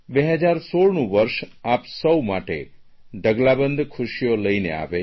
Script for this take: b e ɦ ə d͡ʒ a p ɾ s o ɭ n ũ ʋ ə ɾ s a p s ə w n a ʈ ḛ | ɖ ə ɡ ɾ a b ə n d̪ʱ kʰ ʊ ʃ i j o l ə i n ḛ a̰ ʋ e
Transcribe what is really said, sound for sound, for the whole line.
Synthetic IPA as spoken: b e ɦ ə d͡ʒ a ɾ s o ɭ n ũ ʋ ə ɾ ʃ a p s ə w m a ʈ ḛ | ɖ ə ɡ l a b ə n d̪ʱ kʰ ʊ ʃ i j o l ə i n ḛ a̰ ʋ e